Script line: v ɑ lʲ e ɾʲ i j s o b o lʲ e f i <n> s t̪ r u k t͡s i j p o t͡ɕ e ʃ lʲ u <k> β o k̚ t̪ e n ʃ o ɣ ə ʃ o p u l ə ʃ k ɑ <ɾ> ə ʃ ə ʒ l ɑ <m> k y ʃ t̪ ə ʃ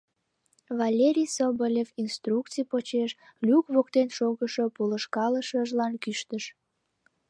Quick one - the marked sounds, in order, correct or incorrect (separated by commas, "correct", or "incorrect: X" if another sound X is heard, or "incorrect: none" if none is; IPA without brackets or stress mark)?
correct, correct, incorrect: l, incorrect: n